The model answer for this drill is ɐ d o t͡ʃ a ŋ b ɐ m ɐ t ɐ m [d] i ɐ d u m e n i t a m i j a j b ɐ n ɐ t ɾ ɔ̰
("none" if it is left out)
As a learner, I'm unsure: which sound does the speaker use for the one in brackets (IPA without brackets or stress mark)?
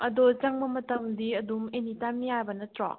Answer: d